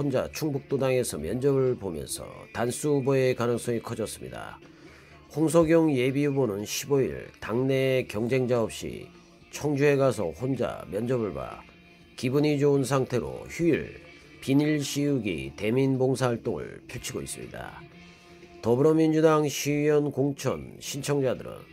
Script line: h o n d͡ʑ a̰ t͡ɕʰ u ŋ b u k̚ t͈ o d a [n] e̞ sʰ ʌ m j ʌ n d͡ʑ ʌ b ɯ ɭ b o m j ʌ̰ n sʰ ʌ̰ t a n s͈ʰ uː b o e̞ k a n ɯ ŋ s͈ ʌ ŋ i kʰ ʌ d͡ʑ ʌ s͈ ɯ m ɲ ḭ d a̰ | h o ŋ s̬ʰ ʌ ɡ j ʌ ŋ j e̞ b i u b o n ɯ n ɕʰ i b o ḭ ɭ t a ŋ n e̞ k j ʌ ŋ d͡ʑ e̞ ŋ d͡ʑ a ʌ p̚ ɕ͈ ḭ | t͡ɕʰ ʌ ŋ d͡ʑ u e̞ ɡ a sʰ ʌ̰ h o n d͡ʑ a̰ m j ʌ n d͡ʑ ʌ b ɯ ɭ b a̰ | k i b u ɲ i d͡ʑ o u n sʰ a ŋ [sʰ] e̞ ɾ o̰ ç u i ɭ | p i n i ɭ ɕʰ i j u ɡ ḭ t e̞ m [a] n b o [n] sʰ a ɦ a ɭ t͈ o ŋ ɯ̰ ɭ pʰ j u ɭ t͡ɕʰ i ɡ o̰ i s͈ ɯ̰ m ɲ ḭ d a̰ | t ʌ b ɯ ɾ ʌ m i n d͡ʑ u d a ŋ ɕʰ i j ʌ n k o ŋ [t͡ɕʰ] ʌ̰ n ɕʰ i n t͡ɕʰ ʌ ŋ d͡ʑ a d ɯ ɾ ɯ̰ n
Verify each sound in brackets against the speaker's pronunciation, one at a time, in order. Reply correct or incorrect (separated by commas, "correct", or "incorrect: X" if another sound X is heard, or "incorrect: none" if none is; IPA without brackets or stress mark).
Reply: incorrect: ŋ, incorrect: tʰ, incorrect: i, incorrect: ŋ, correct